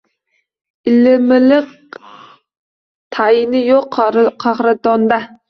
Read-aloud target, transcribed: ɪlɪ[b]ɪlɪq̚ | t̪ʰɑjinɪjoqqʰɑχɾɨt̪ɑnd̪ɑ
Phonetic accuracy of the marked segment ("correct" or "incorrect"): incorrect